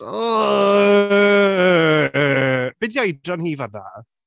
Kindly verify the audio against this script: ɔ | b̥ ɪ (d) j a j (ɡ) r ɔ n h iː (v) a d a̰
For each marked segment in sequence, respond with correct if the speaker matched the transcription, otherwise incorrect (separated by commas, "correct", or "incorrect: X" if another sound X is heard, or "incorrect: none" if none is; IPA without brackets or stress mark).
correct, incorrect: d, correct